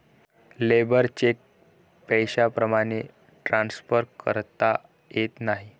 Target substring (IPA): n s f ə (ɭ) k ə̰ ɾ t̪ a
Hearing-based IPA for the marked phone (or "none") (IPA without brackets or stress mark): ɾ